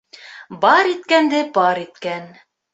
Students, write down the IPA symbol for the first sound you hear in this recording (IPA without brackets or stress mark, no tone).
b